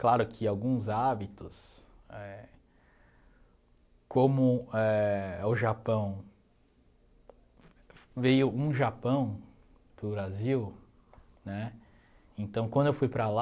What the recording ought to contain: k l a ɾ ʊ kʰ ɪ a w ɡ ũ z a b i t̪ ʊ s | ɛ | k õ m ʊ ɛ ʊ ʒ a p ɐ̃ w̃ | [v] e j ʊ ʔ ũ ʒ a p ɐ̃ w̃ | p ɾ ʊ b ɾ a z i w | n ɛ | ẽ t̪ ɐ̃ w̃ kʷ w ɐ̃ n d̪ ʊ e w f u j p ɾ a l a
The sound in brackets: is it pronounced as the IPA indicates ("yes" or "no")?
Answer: yes